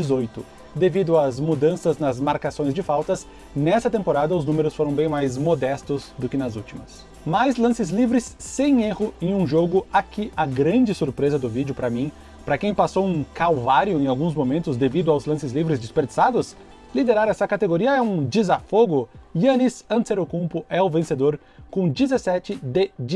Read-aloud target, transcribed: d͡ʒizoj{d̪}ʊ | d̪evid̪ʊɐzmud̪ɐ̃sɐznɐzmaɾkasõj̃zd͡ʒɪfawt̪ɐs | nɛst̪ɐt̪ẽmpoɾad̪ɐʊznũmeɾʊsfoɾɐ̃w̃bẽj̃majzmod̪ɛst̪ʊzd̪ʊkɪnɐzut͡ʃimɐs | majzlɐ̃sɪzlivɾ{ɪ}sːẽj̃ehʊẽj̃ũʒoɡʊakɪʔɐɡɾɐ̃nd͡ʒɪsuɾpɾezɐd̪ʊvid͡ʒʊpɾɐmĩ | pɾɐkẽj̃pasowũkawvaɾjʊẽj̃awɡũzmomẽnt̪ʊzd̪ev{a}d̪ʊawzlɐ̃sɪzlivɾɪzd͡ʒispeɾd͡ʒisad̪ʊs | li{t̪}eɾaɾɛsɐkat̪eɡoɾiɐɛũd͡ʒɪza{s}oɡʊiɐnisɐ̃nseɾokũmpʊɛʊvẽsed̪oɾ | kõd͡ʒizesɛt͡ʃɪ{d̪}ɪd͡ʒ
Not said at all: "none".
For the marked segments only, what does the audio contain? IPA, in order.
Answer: t̪, ɪ, i, d̪, f, d̪

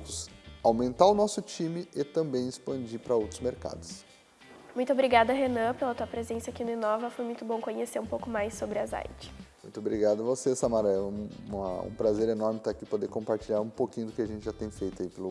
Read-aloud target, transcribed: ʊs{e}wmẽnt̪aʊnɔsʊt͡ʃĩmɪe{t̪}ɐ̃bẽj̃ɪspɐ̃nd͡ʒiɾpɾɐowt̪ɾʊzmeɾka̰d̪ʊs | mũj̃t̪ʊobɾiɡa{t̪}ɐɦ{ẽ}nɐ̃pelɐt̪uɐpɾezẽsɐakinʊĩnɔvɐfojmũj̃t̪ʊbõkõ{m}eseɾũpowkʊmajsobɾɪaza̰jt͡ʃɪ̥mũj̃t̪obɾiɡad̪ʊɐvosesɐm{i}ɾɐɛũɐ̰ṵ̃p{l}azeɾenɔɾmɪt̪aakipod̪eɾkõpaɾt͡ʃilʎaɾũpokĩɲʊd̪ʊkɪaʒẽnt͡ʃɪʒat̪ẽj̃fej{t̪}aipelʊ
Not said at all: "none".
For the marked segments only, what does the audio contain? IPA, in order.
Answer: a, t̪, d̪, e, ɲ, a, ɾ, t̪

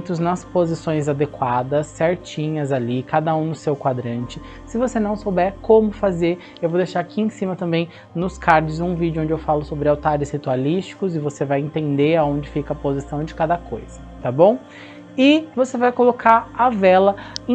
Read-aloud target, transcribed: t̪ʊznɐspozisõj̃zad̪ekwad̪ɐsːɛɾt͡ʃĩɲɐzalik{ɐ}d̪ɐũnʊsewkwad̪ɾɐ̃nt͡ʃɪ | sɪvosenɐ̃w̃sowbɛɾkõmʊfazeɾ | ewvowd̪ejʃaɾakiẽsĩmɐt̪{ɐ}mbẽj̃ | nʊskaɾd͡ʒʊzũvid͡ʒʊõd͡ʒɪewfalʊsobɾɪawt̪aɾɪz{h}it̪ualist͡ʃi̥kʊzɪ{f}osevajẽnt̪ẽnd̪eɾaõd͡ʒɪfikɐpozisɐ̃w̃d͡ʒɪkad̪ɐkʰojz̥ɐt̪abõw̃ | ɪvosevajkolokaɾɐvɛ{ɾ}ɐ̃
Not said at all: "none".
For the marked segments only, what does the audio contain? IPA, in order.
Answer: a, ɐ̃, h, v, l

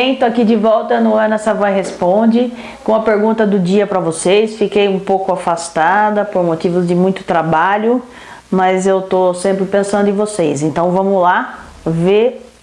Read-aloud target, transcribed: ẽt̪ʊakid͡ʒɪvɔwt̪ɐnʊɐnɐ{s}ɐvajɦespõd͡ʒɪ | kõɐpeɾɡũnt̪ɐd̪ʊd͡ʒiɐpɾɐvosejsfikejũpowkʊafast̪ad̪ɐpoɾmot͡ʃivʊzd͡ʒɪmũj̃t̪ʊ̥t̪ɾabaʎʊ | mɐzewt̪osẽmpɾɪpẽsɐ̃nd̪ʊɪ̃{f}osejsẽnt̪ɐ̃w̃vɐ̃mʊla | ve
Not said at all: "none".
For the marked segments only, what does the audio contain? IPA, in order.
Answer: s, v

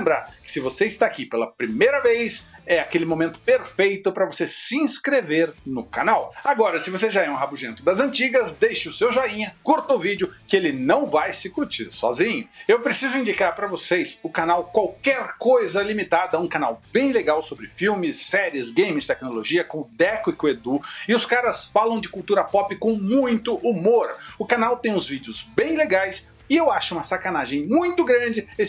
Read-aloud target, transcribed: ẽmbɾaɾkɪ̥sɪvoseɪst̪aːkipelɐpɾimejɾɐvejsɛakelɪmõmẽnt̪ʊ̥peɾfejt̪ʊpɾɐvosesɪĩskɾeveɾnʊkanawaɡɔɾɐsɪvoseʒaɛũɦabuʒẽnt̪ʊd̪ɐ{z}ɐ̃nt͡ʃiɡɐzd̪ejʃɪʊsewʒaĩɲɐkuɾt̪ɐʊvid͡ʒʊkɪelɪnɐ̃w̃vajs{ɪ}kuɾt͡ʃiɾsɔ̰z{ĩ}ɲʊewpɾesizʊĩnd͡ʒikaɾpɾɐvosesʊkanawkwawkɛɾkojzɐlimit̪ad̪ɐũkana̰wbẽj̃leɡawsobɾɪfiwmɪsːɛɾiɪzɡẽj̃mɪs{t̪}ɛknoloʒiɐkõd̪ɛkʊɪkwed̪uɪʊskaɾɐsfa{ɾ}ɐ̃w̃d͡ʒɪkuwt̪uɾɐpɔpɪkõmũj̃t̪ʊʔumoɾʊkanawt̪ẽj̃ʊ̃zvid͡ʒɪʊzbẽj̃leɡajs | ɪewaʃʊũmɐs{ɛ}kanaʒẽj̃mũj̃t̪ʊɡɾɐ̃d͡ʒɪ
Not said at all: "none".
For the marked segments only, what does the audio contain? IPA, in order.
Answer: z, ɪ, ĩ, t̪, l, a

